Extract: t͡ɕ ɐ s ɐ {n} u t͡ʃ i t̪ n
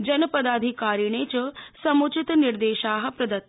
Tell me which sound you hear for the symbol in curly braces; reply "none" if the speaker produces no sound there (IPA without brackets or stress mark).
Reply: m